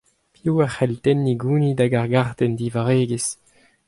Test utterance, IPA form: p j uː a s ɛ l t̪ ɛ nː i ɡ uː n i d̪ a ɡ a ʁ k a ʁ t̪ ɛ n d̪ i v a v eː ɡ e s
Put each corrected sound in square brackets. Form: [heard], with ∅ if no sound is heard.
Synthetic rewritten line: p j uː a [χ] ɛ l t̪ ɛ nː i ɡ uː n i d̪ a ɡ a ʁ [ɡ] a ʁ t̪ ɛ n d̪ i v a [ʁ] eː ɡ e s